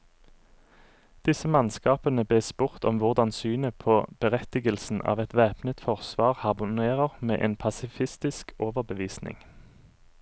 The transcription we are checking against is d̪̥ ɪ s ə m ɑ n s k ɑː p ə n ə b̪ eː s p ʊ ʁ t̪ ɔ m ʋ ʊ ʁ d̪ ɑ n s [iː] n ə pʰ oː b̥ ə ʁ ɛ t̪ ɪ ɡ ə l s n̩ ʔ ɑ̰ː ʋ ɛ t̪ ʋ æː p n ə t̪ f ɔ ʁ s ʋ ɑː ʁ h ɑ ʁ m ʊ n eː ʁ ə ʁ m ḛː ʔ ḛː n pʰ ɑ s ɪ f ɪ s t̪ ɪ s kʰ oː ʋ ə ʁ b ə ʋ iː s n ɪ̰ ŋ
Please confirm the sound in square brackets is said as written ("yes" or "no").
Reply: no